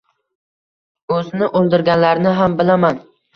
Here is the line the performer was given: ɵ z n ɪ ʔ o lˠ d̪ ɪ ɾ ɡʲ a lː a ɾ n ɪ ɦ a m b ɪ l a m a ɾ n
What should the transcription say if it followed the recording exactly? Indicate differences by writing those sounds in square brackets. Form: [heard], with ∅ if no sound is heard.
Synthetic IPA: ɵ z n ɪ ʔ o lˠ d̪ ɪ ɾ ɡʲ a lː a ɾ n ɪ ɦ a m b ɪ l a m a [∅] n